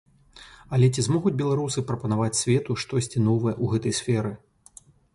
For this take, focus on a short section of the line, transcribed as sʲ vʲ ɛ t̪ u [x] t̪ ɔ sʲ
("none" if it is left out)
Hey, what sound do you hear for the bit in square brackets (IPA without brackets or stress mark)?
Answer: ʂ